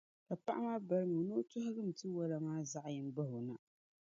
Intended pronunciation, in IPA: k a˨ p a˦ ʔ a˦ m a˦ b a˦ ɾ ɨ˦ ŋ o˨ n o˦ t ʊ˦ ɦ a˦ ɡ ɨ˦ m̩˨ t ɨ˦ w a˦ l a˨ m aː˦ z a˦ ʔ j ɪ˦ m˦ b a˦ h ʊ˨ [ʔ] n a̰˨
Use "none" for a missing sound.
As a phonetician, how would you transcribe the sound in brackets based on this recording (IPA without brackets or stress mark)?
none